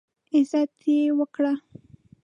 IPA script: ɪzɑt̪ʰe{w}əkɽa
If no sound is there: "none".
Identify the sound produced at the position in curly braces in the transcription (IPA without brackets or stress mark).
w